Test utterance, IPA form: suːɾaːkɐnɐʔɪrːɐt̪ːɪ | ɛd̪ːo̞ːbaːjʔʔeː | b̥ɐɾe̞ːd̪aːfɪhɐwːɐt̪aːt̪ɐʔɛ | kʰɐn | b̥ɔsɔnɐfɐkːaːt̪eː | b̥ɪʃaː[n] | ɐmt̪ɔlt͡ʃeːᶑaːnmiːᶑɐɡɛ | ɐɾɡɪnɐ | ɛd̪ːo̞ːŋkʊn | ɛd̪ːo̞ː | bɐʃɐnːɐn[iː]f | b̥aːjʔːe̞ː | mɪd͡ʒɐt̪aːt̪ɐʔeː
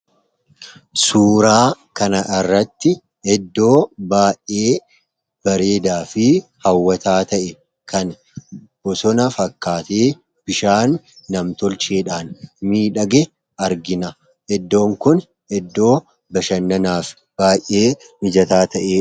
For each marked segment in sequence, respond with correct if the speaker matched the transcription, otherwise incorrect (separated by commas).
incorrect, incorrect